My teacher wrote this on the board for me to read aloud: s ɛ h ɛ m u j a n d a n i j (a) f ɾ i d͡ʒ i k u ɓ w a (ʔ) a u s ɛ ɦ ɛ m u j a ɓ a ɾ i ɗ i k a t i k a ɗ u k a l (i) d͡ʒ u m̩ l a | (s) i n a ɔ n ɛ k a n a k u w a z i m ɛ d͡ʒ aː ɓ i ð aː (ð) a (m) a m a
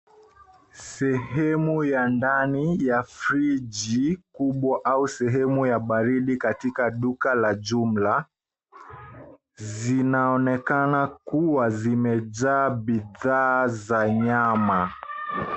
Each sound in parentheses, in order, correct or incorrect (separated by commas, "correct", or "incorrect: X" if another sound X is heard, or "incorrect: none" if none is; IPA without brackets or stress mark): correct, correct, incorrect: a, incorrect: z, incorrect: z, incorrect: ɲ